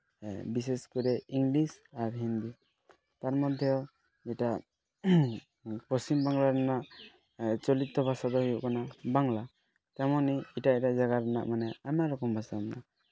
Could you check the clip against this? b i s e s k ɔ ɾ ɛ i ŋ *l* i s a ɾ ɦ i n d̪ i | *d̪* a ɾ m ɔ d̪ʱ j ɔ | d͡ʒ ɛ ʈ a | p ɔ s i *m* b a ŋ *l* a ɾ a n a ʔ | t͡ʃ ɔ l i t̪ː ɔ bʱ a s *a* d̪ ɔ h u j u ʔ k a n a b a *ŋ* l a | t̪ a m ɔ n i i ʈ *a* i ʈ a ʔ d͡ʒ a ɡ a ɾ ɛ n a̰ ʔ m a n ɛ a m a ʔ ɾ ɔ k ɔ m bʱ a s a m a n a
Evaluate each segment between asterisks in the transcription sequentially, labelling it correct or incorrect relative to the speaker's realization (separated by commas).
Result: correct, incorrect, correct, correct, correct, correct, correct